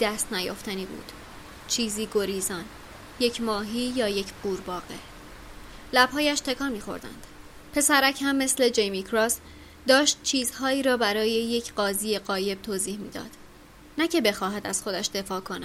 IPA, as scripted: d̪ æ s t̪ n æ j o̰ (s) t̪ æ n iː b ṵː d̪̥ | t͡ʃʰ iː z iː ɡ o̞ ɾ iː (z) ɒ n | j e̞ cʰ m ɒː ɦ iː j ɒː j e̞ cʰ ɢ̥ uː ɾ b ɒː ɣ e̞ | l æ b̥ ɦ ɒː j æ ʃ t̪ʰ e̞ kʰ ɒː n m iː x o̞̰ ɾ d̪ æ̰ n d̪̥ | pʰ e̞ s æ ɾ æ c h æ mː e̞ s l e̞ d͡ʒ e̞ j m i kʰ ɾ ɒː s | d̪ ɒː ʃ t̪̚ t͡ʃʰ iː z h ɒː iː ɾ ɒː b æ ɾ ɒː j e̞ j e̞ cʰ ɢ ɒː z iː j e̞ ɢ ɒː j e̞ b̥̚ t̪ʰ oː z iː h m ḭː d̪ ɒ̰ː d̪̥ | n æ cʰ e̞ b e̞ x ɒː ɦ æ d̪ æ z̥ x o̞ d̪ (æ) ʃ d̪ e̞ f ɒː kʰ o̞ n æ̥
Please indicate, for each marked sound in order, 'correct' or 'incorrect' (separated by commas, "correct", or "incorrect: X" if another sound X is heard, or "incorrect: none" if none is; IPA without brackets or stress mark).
incorrect: f, correct, correct